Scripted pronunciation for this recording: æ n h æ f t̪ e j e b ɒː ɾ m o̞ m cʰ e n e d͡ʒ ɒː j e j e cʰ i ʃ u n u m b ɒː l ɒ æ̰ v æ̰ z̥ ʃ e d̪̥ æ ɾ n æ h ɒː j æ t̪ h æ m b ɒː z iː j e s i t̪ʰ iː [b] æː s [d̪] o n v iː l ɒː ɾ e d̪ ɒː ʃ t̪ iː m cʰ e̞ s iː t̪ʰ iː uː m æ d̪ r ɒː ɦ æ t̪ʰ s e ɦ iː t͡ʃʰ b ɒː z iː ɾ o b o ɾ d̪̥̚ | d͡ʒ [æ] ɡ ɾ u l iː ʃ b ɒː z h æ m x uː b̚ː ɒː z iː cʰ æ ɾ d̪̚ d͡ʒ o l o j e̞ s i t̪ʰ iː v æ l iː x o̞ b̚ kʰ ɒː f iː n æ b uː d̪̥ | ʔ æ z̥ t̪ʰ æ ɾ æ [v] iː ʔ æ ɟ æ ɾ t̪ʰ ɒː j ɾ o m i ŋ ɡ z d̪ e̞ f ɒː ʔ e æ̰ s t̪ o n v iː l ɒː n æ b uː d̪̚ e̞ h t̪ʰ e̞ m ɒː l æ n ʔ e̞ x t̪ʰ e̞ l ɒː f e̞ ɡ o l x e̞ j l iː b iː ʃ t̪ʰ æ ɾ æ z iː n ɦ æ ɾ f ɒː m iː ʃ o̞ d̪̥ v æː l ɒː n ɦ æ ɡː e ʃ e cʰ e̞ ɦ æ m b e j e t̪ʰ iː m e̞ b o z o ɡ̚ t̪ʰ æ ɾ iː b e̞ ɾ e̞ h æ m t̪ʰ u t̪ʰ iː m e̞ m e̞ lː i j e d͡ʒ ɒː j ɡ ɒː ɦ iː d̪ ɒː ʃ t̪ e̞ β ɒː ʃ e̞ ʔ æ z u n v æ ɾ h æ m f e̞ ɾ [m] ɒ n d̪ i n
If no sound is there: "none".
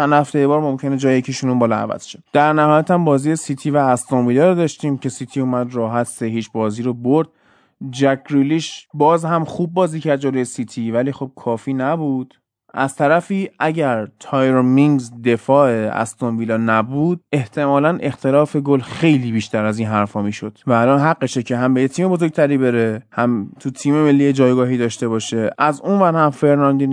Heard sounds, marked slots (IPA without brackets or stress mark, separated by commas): v, t̪, æ, f, n